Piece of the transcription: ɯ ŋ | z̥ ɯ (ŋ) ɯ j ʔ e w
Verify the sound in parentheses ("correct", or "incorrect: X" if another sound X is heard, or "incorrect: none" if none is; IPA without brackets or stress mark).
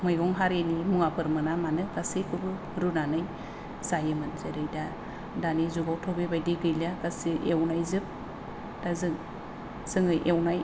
correct